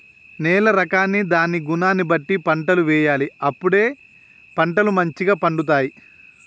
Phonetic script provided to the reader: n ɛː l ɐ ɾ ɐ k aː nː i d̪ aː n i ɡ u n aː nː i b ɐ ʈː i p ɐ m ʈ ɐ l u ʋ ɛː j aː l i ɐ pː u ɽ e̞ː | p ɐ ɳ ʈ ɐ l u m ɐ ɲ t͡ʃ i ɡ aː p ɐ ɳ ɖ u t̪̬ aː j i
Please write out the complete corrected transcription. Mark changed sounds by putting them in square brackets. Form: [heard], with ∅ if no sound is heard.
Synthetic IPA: n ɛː l ɐ ɾ ɐ k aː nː i d̪ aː n i ɡ u n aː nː i b ɐ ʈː i p ɐ [ɳ] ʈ ɐ l u ʋ ɛː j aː l i ɐ pː u ɽ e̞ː | p ɐ ɳ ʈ ɐ l u m ɐ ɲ t͡ʃ i ɡ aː p ɐ ɳ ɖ u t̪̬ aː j i